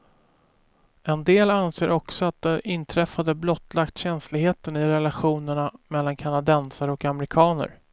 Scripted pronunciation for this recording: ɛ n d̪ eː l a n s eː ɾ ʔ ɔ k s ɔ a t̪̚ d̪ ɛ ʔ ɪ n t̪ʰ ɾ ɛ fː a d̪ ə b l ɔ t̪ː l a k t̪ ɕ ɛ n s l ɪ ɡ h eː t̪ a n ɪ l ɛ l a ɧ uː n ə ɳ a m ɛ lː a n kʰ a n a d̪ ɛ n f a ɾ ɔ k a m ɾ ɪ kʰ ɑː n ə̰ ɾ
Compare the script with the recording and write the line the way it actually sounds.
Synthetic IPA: ɛ n d̪ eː l a n s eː ɾ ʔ ɔ k s ɔ a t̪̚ d̪ ɛ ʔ ɪ n t̪ʰ ɾ ɛ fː a d̪ ə b l ɔ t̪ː l a k t̪ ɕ ɛ n s l ɪ ɡ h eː t̪ ə n ɪ ɾ ɛ l a ɧ uː n ə ɳ a m ɛ lː a n kʰ a n a d̪ ɛ n s a ɾ ɔ k a m ɾ ɪ kʰ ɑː n ə̰ ɾ